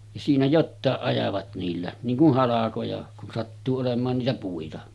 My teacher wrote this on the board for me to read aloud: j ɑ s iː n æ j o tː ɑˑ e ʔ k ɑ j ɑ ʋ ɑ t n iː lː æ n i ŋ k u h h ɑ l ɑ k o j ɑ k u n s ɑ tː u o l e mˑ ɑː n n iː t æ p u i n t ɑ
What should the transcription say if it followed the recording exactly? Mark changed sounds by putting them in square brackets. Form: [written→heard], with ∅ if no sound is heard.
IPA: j ɑ s iː n æ j o tː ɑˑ e ʔ [k→ʔ] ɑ j ɑ ʋ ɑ t n iː lː æ n [i→iː] ŋ k u h h ɑ l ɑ k o j ɑ k u n s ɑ tː [u→uː] o l e mˑ ɑː n n iː t æ p u i [n→∅] t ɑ